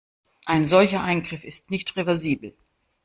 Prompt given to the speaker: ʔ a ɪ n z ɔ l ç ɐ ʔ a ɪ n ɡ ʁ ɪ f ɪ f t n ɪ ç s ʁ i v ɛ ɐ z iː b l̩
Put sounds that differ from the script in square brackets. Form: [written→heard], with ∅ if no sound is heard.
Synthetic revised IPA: ʔ a ɪ n z ɔ l ç ɐ ʔ a ɪ n ɡ ʁ ɪ f ɪ [f→s] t n ɪ ç [s→t] ʁ [i→e] v ɛ ɐ z iː b l̩